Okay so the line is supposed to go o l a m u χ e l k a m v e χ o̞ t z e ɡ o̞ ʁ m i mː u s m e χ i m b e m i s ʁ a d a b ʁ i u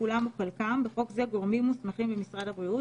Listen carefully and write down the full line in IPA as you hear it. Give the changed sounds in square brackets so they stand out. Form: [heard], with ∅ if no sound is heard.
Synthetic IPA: [u] l a m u χ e l k a m [b] e χ o̞ [k] z e ɡ o̞ ʁ m i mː u s m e χ i m b e m i s ʁ a d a b ʁ i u